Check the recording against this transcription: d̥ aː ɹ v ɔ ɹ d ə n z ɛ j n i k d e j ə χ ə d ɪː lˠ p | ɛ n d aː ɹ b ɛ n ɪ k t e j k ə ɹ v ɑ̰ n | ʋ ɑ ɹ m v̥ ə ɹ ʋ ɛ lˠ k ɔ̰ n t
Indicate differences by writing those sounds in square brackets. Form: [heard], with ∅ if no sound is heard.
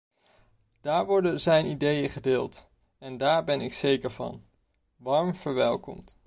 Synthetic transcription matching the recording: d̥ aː ɹ [ʋ] ɔ ɹ d ə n z ɛ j n i [∅] d e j ə χ ə d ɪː lˠ [t] | ɛ n d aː ɹ b ɛ n ɪ k [s] e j k ə ɹ v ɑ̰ n | ʋ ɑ ɹ m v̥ ə ɹ ʋ ɛ lˠ k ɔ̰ [m] t

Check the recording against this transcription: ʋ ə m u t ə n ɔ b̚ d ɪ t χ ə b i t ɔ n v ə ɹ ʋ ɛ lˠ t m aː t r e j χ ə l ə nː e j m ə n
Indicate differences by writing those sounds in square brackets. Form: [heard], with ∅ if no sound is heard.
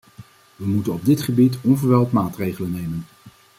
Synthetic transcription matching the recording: ʋ ə m u t ə n ɔ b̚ d ɪ t χ ə b i t ɔ n v ə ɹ ʋ ɛ lˠ t m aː t r e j χ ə l ə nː e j m ə n

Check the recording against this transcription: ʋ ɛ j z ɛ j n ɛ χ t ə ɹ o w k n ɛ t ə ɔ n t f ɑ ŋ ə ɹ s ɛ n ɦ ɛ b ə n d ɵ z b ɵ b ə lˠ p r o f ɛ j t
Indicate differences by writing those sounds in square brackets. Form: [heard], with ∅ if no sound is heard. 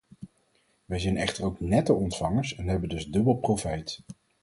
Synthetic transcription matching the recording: ʋ ɛ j z ɛ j n ɛ χ t ə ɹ o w k n ɛ t ə ɔ n t f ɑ ŋ ə ɹ s ɛ n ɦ ɛ b ə n d ɵ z [d] ɵ b ə lˠ p r o f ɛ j t

